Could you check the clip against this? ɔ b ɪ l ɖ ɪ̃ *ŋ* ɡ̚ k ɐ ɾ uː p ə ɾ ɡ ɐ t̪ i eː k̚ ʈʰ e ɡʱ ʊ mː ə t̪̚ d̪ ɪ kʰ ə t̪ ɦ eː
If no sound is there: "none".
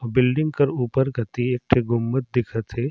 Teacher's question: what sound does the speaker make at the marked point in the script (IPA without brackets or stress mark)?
ŋ